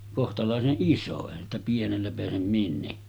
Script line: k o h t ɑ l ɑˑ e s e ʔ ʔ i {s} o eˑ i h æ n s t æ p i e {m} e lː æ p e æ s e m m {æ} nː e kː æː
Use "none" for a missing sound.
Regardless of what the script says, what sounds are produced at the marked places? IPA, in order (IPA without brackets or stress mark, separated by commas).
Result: s, n, i